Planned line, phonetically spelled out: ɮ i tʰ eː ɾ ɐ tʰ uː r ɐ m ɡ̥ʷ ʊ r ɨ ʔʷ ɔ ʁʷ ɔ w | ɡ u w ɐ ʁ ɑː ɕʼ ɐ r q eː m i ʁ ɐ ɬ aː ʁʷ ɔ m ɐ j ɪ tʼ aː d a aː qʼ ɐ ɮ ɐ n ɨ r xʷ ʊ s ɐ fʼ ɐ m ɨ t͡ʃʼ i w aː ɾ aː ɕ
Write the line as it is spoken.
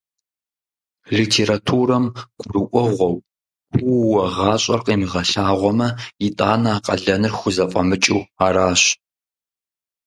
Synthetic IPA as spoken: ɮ i tʰ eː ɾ a tʰ uː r ɐ m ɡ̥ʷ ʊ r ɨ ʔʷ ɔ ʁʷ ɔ w | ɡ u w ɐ ʁ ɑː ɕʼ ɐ r q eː m i ʁ ɐ ɬ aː ʁʷ ɔ m ɐ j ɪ tʼ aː n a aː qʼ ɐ ɮ ɐ n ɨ r xʷ ʊ z ɐ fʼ ɐ m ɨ t͡ʃʼ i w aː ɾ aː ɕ